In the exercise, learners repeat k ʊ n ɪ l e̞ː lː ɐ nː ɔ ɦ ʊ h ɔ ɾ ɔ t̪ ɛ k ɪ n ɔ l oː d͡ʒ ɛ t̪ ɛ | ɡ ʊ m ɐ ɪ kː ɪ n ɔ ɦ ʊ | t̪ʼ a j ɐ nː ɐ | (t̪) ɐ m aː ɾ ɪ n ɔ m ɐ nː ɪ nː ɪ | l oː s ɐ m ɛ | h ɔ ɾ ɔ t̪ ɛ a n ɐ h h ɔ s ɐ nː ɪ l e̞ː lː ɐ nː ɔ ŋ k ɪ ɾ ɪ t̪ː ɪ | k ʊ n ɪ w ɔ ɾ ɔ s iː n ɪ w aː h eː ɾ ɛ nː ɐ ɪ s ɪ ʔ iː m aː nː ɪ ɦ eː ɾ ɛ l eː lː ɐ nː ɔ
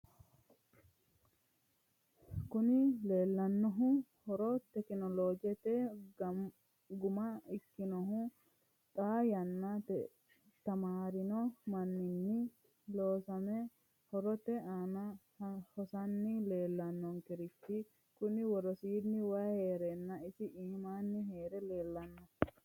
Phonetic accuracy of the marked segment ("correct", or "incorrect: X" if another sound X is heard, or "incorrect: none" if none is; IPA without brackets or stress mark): correct